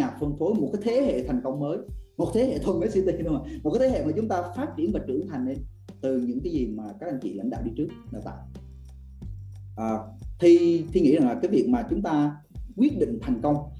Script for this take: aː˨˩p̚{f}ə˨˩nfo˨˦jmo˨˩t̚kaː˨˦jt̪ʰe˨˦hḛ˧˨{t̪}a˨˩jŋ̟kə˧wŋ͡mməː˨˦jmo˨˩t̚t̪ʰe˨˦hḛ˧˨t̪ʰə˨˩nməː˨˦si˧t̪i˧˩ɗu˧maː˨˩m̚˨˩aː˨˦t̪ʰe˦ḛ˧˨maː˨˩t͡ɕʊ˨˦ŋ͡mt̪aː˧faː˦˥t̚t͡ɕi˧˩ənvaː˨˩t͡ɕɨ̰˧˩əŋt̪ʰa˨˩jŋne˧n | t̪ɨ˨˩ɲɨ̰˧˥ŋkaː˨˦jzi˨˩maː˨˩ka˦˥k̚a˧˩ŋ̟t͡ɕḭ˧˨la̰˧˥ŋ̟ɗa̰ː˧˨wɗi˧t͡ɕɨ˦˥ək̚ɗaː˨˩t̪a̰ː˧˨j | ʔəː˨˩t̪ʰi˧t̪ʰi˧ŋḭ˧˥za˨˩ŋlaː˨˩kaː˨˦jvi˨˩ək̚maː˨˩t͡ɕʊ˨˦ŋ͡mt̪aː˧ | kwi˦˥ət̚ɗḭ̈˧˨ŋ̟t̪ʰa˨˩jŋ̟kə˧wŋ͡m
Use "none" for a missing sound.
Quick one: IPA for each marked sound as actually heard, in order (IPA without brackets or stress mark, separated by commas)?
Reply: f, t̪ʰ